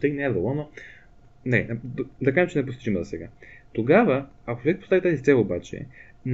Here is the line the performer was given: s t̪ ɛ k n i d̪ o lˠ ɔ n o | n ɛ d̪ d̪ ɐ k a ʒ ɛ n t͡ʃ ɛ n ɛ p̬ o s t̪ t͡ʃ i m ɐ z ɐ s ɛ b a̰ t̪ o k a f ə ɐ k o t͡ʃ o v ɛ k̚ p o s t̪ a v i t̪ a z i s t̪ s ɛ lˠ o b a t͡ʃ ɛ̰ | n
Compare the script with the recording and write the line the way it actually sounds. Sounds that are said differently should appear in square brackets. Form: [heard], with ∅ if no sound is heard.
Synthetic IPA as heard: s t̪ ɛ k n [ɛ] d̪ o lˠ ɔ n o | n ɛ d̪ d̪ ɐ k a ʒ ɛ [m] t͡ʃ ɛ n ɛ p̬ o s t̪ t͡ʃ i m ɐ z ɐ s ɛ [ɡ] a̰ t̪ o [ɡ] a [v] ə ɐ k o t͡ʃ o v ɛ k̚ p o s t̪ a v i t̪ a z i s t̪ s ɛ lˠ o b a t͡ʃ ɛ̰ | n